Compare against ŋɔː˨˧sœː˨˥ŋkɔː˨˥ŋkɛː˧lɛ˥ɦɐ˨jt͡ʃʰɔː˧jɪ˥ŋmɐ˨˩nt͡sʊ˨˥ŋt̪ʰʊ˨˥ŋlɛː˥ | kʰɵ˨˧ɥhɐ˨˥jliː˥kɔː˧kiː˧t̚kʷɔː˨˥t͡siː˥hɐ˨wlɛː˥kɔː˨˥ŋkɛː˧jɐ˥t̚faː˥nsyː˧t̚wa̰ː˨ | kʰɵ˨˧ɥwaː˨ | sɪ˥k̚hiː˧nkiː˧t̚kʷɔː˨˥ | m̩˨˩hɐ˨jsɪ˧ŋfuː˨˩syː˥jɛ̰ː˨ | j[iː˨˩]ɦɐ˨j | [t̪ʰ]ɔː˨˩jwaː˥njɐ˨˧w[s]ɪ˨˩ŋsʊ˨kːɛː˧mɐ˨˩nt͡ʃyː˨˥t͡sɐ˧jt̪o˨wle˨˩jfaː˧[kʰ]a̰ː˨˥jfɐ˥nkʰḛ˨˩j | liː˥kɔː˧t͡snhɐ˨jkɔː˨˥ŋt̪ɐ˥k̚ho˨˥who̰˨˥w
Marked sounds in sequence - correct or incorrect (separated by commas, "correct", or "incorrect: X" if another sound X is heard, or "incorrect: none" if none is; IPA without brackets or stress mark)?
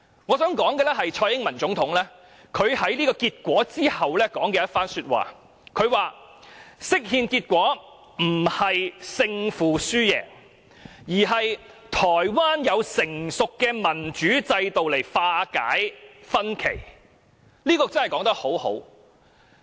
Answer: correct, correct, correct, incorrect: k